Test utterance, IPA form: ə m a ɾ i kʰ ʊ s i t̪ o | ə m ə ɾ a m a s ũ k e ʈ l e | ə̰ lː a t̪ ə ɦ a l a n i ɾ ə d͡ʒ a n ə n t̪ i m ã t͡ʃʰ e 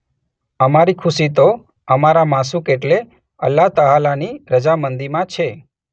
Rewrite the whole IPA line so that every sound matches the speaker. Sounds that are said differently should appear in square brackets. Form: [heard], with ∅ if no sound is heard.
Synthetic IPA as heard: ə m a ɾ i kʰ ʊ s i t̪ o | ə m [a] ɾ a m a s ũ k e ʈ l e | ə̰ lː a t̪ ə ɦ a l a n i ɾ ə d͡ʒ a [m] ə n [d̪] i m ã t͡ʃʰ e